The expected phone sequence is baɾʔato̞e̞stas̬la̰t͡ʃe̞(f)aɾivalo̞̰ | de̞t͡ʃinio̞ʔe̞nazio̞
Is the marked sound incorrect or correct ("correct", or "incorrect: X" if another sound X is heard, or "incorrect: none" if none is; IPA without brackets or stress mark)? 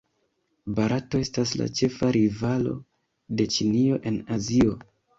correct